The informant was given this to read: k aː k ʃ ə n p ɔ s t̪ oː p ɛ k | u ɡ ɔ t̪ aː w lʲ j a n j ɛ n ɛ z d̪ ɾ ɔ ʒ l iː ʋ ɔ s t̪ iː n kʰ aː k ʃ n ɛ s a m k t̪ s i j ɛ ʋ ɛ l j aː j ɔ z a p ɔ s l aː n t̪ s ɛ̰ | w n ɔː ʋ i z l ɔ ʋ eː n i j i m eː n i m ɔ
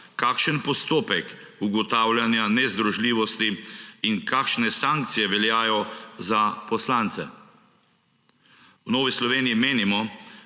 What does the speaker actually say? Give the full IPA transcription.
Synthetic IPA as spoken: k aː k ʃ ə n p ɔ s t̪ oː p ɛ k | u ɡ ɔ t̪ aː w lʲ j a n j a n ɛ z d̪ ɾ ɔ ʒ l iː ʋ ɔ s t̪ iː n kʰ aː k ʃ n ɛ s a ŋ k t̪ s i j ɛ ʋ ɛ l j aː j ɔ z a p ɔ s l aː n t̪ s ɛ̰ | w n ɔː ʋ i s l ɔ ʋ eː n i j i m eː n i m ɔ